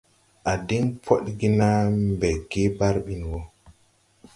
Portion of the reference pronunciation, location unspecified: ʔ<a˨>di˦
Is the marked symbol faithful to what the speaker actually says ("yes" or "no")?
yes